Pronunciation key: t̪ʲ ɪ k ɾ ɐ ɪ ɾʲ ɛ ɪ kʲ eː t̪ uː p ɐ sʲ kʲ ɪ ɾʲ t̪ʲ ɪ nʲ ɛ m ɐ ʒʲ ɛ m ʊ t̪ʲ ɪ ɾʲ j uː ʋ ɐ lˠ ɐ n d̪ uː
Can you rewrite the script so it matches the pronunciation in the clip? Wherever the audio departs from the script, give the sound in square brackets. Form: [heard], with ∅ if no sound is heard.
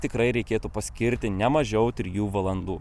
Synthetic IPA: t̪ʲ ɪ k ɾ ɐ ɪ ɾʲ ɛ ɪ kʲ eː t̪ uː p ɐ sʲ kʲ ɪ ɾʲ t̪ʲ ɪ nʲ ɛ m ɐ ʒʲ ɛ [∅] ʊ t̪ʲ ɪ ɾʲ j uː ʋ ɐ lˠ ɐ n d̪ uː